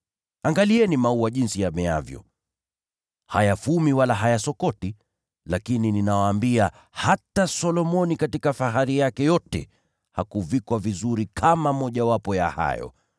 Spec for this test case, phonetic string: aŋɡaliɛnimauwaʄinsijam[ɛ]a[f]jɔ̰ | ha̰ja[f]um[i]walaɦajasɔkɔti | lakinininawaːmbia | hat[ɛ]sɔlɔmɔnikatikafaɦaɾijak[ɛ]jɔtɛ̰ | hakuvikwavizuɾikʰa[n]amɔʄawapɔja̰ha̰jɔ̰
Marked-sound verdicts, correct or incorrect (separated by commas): correct, incorrect, correct, correct, incorrect, correct, incorrect